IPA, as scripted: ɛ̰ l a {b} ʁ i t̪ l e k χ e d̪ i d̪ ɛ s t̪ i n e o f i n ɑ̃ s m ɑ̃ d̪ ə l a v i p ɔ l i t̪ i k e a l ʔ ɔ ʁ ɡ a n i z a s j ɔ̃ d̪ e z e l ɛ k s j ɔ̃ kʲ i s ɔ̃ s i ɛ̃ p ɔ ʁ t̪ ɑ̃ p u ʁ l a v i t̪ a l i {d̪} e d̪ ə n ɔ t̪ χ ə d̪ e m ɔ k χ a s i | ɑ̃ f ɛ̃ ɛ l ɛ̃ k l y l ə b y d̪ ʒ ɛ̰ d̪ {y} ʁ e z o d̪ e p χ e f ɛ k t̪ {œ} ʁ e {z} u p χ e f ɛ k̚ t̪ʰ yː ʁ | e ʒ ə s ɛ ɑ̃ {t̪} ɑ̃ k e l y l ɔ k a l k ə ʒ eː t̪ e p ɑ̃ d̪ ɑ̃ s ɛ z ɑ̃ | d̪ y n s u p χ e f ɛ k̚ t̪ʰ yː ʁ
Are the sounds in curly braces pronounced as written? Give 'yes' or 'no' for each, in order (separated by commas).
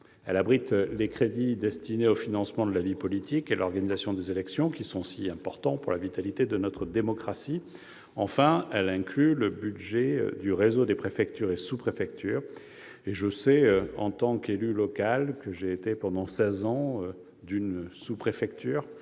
yes, no, yes, no, no, yes